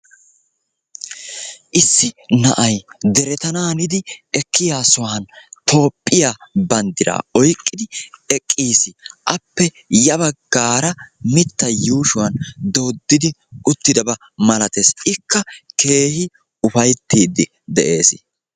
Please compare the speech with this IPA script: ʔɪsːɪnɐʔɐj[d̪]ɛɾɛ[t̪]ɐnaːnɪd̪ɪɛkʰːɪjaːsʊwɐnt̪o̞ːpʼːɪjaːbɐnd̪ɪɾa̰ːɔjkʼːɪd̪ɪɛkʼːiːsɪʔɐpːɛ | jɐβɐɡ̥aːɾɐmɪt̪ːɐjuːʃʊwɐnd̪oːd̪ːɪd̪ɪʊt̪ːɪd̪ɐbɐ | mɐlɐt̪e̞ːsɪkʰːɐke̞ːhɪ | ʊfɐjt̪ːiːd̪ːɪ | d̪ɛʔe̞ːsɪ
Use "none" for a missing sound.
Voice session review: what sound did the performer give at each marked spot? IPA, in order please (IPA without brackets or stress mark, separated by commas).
d̪, t̪